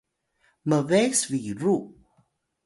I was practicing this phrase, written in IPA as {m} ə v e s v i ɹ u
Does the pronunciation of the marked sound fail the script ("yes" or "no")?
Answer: no